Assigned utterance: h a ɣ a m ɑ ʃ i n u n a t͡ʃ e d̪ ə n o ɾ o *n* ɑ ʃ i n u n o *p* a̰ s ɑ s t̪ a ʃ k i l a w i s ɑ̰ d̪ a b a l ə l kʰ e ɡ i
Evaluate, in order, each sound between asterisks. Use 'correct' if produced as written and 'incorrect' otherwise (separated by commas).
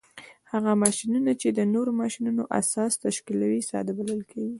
incorrect, incorrect